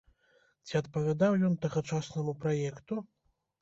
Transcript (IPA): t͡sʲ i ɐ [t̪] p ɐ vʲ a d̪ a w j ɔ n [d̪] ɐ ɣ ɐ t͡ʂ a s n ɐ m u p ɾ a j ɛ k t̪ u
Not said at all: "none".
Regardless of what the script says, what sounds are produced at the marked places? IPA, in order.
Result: t̪, t̪

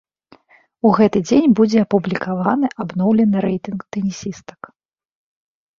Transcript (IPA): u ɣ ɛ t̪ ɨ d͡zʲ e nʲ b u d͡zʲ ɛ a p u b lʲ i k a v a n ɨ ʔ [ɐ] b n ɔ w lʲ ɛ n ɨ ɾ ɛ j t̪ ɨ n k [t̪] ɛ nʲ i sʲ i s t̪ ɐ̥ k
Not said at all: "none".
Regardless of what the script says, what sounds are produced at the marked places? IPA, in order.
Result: a, t̪

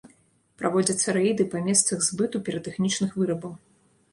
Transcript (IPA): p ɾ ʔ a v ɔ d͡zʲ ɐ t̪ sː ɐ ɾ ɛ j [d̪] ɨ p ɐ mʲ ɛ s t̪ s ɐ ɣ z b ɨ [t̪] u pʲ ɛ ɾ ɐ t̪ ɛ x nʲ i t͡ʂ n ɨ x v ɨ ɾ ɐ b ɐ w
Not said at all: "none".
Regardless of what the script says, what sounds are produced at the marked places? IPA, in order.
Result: d̪, t̪

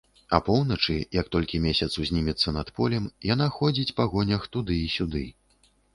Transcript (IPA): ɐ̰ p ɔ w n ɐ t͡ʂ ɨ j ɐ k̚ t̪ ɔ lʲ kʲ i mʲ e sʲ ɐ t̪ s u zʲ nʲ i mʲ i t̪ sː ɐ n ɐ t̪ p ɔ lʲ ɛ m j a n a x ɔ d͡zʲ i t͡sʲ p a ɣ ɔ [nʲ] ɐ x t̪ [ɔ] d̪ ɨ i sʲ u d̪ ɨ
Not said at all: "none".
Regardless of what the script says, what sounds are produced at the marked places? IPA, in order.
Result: nʲ, u

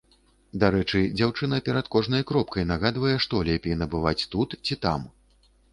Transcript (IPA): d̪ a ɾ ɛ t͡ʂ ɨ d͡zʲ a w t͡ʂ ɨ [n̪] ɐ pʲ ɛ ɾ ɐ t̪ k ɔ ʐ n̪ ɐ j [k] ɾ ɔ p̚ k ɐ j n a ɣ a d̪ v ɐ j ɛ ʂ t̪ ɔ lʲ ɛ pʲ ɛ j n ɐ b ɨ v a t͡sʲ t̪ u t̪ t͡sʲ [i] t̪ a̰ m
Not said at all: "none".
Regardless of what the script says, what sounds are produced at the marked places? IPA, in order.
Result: n̪, k, i

